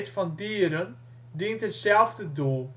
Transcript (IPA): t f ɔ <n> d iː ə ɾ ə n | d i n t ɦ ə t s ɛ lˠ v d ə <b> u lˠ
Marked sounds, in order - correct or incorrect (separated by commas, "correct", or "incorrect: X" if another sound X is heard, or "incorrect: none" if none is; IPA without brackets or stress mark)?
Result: correct, incorrect: d